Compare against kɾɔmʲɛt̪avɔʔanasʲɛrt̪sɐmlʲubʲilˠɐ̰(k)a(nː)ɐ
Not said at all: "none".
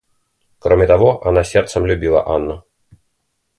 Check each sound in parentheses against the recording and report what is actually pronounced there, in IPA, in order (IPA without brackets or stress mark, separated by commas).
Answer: ʔ, nː